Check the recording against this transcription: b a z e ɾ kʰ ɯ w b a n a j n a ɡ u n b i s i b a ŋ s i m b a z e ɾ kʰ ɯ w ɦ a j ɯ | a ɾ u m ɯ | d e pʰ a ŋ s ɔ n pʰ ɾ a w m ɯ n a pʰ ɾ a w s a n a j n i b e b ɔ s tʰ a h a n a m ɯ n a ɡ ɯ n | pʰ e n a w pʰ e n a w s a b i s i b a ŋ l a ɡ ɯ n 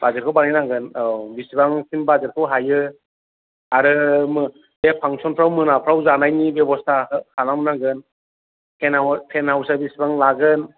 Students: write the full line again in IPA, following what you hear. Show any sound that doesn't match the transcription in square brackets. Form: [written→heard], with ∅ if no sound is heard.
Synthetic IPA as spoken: b a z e ɾ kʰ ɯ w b a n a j n a ɡ [u→ɯ] n b i s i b a ŋ s i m b a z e ɾ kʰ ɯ w ɦ a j ɯ | a ɾ [u→ɯ] m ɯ | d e pʰ a ŋ s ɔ n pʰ ɾ a w m ɯ n a pʰ ɾ a w [s→z] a n a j n i b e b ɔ s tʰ a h a n a m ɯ n a ɡ ɯ n | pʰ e n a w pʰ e n a w s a b i s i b a ŋ l a ɡ ɯ n